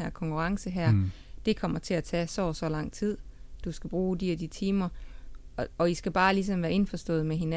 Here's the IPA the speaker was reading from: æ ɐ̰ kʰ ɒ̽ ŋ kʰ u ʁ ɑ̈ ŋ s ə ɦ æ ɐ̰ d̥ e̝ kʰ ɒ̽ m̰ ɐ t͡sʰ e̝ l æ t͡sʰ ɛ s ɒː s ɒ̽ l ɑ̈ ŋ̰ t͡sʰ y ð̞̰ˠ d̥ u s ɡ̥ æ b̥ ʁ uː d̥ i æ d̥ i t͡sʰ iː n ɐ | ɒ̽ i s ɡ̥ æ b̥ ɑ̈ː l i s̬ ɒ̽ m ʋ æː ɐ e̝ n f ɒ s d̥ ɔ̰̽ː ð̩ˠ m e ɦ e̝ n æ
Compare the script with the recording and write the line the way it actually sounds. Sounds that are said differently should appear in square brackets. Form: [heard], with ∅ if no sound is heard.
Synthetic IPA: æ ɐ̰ kʰ ɒ̽ ŋ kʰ u ʁ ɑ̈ ŋ s ə ɦ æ ɐ̰ d̥ e̝ kʰ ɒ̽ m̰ ɐ t͡sʰ e̝ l æ t͡sʰ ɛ s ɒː s ɒ̽ l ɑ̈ ŋ̰ t͡sʰ [i] ð̞̰ˠ d̥ u s ɡ̥ æ b̥ ʁ uː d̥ i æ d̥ i t͡sʰ iː [m] ɐ | ɒ̽ i s ɡ̥ æ b̥ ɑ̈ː l i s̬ ɒ̽ m ʋ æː ɐ e̝ n f ɒ s d̥ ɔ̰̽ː ð̩ˠ m e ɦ e̝ n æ